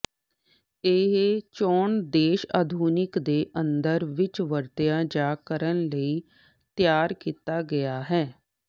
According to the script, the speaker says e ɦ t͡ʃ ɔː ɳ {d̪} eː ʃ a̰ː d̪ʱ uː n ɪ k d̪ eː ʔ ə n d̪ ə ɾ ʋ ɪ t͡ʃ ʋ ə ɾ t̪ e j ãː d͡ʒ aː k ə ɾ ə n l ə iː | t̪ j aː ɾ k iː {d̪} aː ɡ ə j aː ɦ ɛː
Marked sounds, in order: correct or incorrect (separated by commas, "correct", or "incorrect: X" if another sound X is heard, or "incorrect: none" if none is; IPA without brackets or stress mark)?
correct, incorrect: t̪